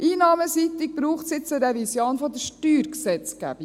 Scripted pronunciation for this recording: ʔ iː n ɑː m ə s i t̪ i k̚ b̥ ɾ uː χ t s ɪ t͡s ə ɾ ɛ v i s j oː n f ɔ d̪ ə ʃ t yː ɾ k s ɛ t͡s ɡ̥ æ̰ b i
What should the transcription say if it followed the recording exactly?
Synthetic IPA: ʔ iː n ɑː m ə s i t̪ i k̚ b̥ ɾ uː χ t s ɪ t͡s ə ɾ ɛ v i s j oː n f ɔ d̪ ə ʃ t yː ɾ k s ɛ t͡s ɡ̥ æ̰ b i